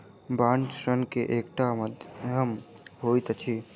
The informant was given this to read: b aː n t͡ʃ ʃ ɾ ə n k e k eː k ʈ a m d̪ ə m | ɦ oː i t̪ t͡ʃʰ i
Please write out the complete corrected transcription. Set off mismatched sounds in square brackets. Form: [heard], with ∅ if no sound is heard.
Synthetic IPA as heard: b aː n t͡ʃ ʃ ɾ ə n k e [ʔ] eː k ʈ a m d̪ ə m | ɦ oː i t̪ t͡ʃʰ i